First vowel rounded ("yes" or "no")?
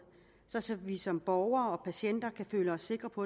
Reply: yes